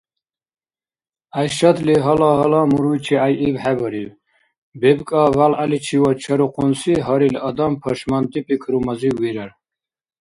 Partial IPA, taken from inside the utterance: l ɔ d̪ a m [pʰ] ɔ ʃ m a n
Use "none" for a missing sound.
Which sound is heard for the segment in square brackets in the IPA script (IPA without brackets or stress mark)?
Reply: pʰ